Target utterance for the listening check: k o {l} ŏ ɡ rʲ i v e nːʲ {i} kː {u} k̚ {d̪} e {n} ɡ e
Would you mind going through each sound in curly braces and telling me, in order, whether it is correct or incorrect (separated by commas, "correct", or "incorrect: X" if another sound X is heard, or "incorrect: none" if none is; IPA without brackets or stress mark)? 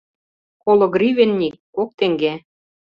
correct, correct, incorrect: o, incorrect: t̪, incorrect: ŋ